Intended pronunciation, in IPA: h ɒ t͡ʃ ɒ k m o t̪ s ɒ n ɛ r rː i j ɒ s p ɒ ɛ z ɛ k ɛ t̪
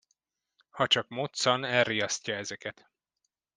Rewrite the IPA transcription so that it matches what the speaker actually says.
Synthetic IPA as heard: h ɒ t͡ʃ ɒ k m o t̪ s ɒ n ɛ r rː i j ɒ s c ɒ ɛ z ɛ k ɛ t̪